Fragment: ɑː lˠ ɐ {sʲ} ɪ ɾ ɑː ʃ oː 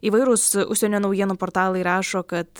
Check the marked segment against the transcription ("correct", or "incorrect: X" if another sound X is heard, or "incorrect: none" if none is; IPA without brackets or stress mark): incorrect: none